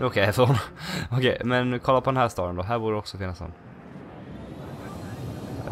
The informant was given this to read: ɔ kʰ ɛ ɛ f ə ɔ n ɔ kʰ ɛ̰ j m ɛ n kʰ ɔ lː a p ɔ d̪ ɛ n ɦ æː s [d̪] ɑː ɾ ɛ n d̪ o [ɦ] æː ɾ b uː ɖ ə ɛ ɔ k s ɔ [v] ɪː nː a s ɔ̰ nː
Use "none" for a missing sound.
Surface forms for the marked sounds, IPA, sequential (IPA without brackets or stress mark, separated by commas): t̪, ɦ, f